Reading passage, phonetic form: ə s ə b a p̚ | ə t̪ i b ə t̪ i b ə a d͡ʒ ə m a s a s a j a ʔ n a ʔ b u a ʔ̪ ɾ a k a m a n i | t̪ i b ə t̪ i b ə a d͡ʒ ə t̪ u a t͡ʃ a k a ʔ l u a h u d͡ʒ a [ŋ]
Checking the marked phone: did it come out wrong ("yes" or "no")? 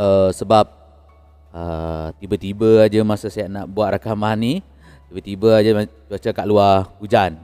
yes